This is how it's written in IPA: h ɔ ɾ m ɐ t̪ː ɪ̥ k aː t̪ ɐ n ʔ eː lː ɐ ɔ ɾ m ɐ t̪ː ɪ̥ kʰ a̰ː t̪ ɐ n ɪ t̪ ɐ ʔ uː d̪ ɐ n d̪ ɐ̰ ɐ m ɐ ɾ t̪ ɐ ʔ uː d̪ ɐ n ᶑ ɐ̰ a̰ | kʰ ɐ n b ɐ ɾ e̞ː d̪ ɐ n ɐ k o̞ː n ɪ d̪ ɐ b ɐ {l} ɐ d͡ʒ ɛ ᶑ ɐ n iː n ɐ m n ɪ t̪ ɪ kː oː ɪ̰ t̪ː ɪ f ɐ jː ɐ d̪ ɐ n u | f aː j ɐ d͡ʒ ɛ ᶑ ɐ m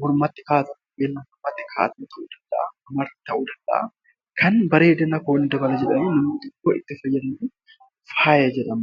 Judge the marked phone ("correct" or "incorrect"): correct